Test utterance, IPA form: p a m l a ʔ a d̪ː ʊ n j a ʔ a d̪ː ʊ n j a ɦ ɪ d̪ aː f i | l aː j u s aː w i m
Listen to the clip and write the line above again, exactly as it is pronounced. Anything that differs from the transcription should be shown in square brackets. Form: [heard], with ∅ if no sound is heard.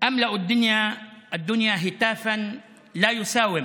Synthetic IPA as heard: [ʔ] a m l a ʔ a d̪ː ʊ n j a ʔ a d̪ː ʊ n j a ɦ ɪ [t̪] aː f [a] | l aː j [ʊ] s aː w [ɪ] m